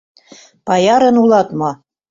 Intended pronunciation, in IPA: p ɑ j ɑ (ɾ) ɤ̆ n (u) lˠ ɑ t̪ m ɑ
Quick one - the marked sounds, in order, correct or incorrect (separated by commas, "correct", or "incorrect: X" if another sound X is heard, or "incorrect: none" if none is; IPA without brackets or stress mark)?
correct, correct